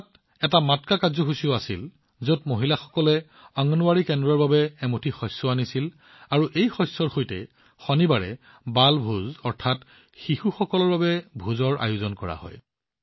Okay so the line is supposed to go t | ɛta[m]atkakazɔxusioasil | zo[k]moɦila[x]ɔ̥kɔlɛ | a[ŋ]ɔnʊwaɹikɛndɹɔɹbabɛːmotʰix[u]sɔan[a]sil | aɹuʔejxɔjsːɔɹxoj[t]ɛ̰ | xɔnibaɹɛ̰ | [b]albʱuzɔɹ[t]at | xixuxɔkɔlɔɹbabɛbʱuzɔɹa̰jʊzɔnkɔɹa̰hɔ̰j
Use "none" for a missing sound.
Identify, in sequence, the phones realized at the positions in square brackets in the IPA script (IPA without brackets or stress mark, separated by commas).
m, t, x, ŋ, ɔ, i, t, b, tʰ